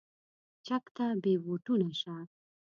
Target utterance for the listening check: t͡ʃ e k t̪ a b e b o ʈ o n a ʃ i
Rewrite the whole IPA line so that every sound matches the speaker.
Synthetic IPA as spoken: t͡ʃ a k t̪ a b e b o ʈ u n a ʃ a